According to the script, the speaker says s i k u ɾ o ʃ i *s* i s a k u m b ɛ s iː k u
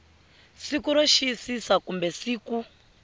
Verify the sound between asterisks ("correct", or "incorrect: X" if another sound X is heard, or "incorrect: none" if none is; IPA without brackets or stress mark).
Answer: correct